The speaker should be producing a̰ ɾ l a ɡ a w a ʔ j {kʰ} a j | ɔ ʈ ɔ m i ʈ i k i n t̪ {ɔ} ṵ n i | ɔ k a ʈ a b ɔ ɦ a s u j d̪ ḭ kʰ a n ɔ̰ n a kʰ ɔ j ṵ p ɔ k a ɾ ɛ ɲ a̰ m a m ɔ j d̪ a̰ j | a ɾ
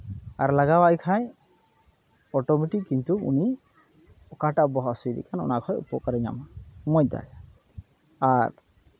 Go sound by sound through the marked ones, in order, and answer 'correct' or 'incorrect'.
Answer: correct, incorrect

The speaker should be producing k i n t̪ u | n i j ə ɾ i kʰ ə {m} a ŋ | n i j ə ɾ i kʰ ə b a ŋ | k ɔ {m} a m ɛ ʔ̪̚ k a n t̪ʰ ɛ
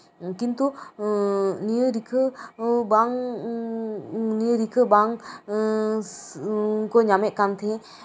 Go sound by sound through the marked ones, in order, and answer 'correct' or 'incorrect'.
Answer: incorrect, incorrect

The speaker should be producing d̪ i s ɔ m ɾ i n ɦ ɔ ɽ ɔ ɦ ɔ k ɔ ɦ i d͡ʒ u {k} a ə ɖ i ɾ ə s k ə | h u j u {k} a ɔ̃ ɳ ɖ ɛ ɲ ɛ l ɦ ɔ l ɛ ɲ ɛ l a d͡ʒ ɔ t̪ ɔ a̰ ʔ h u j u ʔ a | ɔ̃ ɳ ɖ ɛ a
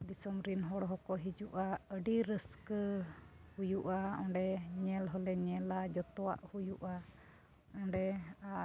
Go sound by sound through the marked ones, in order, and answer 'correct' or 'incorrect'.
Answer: incorrect, incorrect

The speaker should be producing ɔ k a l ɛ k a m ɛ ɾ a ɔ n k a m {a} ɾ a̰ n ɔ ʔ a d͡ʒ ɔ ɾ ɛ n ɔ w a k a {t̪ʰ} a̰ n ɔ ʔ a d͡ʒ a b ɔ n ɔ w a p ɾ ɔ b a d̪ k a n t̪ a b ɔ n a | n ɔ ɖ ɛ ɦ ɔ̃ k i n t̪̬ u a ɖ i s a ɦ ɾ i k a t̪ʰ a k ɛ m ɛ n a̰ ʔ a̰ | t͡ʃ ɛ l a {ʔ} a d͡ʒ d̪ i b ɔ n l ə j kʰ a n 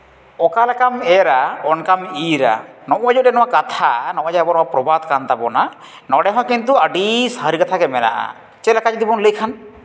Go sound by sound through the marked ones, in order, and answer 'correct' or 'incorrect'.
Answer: incorrect, correct, incorrect

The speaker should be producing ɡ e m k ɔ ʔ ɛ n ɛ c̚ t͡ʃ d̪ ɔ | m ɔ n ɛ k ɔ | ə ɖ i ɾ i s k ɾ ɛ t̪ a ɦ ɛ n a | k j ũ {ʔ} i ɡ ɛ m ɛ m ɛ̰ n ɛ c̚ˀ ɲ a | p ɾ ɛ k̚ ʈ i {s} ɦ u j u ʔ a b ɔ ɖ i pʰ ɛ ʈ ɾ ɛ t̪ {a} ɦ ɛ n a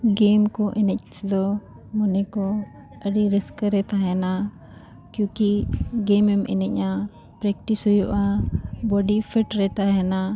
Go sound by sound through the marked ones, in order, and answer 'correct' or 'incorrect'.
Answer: incorrect, correct, correct

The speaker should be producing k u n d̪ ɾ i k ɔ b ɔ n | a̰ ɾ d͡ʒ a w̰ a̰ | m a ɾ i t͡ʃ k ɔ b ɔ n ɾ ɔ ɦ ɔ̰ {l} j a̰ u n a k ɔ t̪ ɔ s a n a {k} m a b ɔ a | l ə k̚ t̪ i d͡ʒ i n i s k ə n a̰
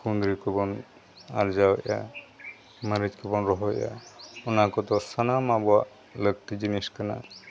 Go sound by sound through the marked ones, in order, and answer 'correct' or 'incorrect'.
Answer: incorrect, incorrect

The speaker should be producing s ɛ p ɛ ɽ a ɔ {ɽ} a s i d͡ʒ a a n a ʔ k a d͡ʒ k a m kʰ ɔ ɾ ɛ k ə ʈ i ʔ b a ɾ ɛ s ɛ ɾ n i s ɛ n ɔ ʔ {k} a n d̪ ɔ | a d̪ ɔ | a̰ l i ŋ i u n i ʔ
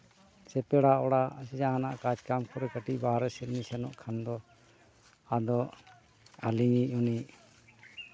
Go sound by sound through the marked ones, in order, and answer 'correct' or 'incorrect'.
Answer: correct, incorrect

